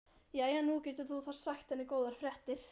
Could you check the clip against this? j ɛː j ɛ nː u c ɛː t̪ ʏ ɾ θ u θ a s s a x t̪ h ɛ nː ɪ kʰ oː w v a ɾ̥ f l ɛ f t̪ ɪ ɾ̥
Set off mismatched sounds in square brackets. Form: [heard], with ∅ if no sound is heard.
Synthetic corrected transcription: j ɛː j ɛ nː u c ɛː t̪ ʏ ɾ θ u θ a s s a x t̪ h ɛ nː ɪ [k] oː w [ð] a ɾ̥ f [ɾ] ɛ [h] t̪ ɪ ɾ̥